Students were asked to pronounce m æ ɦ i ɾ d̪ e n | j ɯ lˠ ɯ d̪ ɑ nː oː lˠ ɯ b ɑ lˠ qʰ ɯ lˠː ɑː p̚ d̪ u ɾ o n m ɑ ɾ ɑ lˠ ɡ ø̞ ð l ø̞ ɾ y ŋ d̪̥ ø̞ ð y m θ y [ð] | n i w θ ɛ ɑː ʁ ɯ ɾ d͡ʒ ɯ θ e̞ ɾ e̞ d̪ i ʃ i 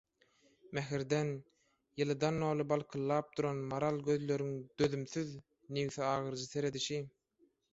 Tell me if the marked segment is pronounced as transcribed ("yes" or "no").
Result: yes